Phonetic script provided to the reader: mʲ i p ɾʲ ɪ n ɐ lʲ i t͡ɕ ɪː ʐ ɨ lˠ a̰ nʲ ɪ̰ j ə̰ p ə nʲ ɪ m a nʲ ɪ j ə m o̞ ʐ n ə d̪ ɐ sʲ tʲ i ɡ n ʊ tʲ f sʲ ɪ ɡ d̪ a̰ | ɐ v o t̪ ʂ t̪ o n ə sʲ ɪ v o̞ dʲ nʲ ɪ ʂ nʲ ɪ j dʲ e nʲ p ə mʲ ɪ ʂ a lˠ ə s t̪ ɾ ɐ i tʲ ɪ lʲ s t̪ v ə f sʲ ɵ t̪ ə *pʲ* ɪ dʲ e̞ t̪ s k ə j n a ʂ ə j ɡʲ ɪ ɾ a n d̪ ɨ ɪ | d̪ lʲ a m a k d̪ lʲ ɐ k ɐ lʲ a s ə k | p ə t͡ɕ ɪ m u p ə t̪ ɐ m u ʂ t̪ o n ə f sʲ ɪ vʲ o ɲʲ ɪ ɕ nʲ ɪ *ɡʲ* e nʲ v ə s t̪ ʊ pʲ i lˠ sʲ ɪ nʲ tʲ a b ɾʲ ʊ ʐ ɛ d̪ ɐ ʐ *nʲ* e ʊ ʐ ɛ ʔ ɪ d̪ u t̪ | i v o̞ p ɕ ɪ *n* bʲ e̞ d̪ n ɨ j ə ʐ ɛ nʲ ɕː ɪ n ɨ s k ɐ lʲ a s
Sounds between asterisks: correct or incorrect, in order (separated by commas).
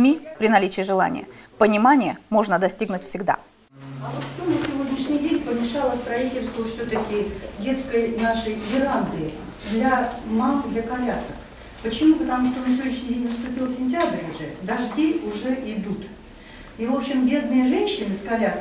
incorrect, incorrect, incorrect, incorrect